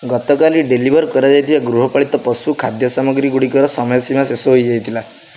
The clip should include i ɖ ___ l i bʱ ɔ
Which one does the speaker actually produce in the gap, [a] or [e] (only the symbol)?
e